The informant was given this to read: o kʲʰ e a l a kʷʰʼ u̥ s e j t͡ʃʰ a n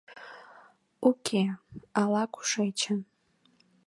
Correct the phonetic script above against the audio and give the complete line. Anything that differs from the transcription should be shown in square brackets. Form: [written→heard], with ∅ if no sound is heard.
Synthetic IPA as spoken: [o→u] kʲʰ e a l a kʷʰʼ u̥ [s→ʂ] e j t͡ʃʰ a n